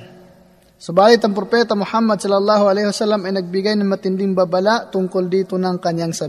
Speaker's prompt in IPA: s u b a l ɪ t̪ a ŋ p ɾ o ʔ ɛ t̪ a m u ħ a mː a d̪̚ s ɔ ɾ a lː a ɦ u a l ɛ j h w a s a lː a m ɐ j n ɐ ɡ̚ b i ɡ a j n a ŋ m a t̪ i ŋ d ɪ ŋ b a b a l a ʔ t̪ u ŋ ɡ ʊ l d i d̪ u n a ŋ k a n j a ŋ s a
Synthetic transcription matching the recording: s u b a l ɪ t̪ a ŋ p ɾ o p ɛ t̪ a m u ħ a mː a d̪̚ s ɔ l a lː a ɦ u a l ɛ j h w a s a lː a m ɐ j n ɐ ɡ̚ b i ɡ a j n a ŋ m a t̪ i n d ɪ ŋ b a b a l a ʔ t̪ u ŋ k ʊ l d i t̪ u n a ŋ k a n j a ŋ s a